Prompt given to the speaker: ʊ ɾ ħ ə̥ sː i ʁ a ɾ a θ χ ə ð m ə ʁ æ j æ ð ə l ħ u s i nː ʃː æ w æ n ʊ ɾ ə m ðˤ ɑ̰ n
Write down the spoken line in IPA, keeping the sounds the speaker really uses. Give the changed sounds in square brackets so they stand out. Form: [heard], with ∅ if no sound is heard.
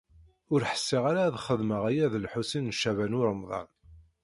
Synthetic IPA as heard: ʊ ɾ ħ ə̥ sː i ʁ a ɾ a [ð] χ ə ð m ə ʁ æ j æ ð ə l ħ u s i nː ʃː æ [v] æ n ʊ ɾ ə m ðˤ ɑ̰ n